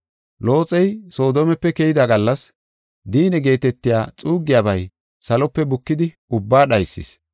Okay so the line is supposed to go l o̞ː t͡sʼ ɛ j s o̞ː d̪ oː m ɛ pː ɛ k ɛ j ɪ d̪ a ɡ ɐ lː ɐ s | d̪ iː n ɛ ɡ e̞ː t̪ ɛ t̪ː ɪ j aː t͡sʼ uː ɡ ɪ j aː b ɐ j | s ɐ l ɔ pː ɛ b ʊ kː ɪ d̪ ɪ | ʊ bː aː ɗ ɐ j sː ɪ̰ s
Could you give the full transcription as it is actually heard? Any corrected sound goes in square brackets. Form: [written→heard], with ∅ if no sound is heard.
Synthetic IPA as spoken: l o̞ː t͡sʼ ɛ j s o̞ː d̪ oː m ɛ pː ɛ k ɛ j ɪ d̪ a ɡ ɐ lː ɐ s | d̪ iː n ɛ ɡ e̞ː t̪ ɛ t̪ː ɪ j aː t͡sʼ uː ɡ ɪ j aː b ɐ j | s ɐ l ɔ pː ɛ b ʊ kː ɪ d̪ ɪ | ʊ bː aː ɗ ɐ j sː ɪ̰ s